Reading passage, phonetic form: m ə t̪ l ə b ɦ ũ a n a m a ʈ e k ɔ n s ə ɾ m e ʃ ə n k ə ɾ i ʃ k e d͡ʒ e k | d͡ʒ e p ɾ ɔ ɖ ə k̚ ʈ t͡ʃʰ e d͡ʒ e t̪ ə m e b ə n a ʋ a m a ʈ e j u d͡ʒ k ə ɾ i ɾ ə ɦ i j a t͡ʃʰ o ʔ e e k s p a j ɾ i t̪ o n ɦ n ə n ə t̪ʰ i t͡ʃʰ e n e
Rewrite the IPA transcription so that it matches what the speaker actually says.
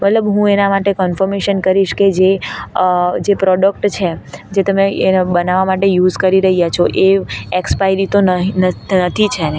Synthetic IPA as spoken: m ə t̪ l ə b ɦ ũ e n a m a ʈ e k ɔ n f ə ɾ m e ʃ ə n k ə ɾ i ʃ k e d͡ʒ e | d͡ʒ e p ɾ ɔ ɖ ə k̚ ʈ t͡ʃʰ e d͡ʒ e t̪ ə m e b ə n a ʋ a m a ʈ e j u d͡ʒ k ə ɾ i ɾ ə ɦ i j a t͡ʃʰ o ʔ e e k s p a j ɾ i t̪ o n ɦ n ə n ə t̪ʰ i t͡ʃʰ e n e